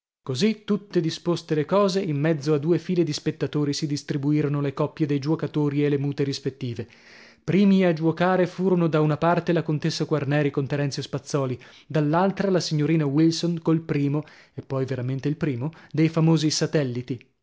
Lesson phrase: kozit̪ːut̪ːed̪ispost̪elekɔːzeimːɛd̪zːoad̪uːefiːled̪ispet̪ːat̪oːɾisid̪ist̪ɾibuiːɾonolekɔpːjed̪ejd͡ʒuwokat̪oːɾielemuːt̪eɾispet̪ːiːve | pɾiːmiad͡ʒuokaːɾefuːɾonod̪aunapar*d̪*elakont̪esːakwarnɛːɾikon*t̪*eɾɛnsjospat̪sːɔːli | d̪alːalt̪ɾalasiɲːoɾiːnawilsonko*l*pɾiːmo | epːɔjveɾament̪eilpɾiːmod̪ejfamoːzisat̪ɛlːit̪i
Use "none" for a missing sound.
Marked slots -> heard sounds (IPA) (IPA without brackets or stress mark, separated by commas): t̪, t̪, l